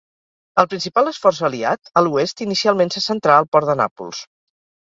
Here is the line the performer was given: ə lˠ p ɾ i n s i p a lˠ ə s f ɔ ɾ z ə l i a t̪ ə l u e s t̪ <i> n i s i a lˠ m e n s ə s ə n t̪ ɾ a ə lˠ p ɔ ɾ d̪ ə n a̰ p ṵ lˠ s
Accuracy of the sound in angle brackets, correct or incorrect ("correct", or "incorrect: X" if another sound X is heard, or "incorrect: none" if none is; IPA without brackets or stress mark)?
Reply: correct